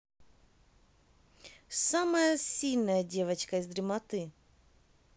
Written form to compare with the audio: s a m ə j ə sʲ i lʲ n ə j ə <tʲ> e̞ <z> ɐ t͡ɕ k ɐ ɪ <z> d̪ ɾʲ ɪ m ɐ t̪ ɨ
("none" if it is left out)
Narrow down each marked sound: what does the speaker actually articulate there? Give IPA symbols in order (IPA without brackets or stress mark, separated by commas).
dʲ, v, z